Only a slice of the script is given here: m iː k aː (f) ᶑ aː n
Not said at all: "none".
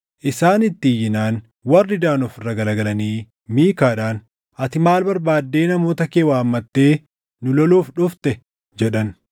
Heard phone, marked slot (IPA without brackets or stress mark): none